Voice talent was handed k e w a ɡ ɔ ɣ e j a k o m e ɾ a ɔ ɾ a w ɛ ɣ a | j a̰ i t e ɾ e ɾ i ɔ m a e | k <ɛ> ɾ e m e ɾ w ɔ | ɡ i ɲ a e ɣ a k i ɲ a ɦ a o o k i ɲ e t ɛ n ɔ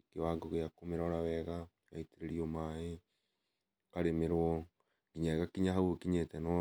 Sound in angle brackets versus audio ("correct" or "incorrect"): incorrect